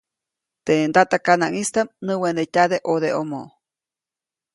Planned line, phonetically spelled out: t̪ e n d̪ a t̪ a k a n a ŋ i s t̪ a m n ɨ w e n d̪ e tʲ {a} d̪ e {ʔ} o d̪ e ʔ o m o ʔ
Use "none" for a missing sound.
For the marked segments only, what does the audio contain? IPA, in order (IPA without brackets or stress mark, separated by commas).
a, ʔ